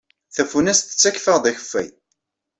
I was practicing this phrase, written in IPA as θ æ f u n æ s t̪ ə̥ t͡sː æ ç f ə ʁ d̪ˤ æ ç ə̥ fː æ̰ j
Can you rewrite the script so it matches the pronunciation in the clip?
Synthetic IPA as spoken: θ æ f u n æ s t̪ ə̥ t͡sː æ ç f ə ʁ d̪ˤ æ ç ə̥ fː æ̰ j